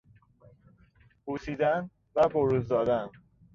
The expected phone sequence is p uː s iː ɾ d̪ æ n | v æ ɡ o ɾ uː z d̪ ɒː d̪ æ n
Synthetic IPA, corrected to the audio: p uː s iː d̪ æ n | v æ b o ɾ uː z d̪ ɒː d̪ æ n